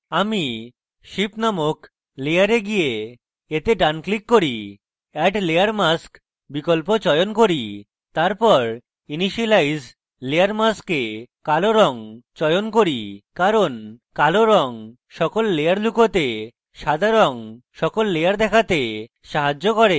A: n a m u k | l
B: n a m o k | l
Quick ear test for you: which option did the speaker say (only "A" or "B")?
B